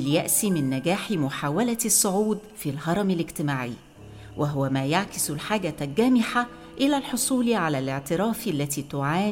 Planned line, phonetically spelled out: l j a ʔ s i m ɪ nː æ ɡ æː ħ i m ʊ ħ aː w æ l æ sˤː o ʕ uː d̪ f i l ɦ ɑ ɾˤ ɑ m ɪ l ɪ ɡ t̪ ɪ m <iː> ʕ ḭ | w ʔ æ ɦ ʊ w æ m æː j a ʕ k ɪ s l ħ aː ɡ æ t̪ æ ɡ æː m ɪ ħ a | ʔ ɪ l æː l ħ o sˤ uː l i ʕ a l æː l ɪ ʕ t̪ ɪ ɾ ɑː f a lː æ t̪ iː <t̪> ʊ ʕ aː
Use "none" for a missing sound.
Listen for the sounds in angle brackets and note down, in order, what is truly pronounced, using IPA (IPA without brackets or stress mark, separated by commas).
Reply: aː, t̪